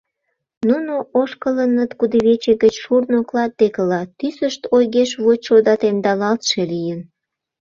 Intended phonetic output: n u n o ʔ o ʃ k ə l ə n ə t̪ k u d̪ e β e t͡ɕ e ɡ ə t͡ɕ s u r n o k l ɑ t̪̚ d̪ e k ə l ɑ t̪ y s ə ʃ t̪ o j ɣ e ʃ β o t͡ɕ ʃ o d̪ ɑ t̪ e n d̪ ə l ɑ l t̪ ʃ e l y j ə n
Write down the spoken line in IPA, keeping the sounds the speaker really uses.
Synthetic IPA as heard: n u n o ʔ o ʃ k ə l ə n ə t̪ k u d̪ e β e t͡ɕ e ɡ ə t͡ɕ ʃ u r n o k l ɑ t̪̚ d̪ e k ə l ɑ t̪ y s ə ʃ t̪ o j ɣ e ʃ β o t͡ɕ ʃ o d̪ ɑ t̪ e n d̪ ɑ l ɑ l t̪ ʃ e l i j ə n